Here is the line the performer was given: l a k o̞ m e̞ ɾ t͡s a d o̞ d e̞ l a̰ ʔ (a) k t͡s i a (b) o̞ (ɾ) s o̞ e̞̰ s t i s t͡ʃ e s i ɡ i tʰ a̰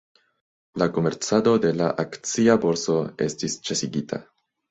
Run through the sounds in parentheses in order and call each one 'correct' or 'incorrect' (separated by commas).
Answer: correct, correct, correct